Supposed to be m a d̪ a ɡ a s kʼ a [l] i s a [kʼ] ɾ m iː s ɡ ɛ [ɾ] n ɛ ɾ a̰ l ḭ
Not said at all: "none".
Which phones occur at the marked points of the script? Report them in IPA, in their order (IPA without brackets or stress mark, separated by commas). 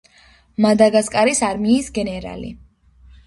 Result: ɾ, none, none